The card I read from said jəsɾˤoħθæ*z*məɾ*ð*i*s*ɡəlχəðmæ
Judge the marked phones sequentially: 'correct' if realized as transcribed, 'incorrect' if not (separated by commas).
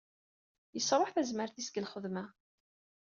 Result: correct, incorrect, correct